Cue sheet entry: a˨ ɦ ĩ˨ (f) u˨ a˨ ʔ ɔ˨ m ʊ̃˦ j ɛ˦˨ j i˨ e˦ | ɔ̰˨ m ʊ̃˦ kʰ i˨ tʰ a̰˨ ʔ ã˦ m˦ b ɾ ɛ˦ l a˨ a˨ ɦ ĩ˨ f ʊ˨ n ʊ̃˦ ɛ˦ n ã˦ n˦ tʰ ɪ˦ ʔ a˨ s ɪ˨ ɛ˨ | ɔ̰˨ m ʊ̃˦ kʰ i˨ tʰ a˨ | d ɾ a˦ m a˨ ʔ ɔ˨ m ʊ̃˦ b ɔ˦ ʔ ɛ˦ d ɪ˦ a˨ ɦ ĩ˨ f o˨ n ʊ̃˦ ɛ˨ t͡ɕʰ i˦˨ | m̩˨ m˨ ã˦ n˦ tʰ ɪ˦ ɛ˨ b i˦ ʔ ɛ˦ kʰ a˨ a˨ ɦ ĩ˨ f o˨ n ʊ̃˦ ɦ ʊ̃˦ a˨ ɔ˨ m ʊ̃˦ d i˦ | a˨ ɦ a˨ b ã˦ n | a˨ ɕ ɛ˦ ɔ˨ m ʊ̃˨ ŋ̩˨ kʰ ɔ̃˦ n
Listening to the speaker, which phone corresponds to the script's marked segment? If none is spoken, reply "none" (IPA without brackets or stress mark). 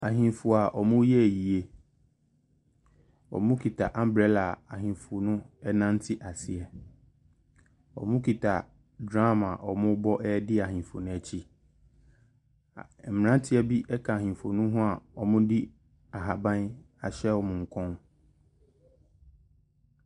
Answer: f